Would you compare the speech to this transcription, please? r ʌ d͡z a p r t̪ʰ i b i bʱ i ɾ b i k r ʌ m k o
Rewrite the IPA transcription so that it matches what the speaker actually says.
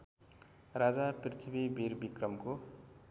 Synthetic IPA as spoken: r a d͡z a p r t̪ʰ i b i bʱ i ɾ b i k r ʌ m k o